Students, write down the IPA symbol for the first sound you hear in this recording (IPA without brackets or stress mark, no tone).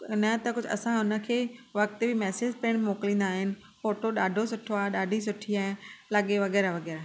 n